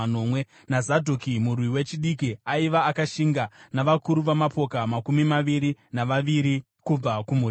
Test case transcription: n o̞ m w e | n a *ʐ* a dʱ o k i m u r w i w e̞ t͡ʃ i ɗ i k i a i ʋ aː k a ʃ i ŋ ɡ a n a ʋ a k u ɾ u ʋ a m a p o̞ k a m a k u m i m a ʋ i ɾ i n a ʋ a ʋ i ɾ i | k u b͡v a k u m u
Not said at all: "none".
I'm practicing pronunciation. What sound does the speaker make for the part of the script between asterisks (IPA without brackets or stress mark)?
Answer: z